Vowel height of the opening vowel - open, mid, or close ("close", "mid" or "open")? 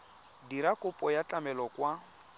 close